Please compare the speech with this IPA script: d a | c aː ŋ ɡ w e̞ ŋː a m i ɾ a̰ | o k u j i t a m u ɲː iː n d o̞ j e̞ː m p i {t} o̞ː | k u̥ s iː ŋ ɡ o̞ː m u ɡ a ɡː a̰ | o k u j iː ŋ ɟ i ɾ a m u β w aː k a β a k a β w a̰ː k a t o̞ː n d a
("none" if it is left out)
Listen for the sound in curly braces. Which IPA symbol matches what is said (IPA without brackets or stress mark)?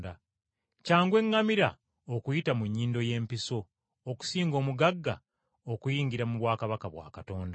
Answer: s